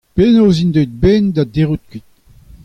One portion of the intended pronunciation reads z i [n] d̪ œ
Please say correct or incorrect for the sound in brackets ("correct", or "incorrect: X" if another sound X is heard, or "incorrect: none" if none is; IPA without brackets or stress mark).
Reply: correct